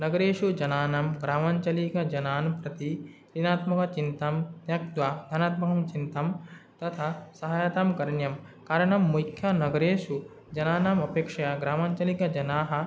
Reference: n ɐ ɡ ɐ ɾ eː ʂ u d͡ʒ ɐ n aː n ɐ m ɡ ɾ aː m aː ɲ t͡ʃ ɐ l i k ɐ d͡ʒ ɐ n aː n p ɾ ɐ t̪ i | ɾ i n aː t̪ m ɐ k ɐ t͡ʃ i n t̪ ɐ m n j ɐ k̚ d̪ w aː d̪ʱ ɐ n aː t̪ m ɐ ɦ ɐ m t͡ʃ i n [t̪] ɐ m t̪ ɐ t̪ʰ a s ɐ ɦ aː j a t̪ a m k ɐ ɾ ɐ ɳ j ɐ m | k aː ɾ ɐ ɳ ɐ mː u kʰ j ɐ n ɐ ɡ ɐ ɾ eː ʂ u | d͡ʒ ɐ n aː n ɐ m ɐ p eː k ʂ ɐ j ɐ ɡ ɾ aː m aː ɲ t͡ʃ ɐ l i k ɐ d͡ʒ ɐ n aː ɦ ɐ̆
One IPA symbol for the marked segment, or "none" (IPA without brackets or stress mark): t̪